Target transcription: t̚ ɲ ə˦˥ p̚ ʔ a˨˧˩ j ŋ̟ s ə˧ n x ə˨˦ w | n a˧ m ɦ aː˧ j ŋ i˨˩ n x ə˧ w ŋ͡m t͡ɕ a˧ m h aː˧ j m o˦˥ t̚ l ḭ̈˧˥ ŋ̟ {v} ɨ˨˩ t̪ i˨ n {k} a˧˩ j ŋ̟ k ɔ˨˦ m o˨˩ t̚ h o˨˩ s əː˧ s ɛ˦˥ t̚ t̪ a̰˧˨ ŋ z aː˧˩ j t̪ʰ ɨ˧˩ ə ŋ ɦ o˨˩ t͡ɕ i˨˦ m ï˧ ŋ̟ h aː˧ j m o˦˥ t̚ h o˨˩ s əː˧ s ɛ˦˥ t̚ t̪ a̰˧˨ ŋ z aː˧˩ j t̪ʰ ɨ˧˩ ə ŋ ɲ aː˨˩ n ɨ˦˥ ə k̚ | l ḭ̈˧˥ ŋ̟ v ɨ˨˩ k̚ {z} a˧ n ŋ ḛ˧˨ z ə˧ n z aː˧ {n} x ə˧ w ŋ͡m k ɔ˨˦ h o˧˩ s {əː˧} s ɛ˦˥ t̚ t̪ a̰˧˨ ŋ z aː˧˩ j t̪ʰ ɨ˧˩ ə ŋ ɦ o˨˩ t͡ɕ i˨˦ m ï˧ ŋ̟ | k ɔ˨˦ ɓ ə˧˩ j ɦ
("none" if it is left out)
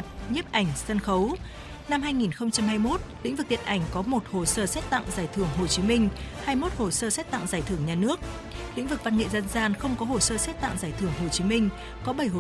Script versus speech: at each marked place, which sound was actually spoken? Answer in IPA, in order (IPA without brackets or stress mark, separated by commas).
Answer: v, ʔ, v, n, əː˧